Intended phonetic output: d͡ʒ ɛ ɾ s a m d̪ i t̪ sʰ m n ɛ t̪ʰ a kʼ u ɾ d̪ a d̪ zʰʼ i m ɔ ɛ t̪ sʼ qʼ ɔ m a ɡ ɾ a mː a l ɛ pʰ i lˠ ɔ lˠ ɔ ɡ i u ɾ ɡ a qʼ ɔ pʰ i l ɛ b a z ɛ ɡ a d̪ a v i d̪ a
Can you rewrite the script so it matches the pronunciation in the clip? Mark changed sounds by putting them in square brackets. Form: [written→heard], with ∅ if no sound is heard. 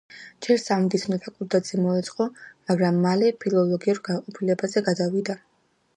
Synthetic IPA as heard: d͡ʒ ɛ ɾ s a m d̪ i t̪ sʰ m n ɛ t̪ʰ a kʼ u ɾ d̪ a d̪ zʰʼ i m ɔ ɛ t̪ sʼ qʼ ɔ m a ɡ ɾ a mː a l ɛ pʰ i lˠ ɔ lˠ ɔ ɡ i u ɾ ɡ a qʼ ɔ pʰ i l ɛ b a z ɛ ɡ a d̪ a v i d̪ a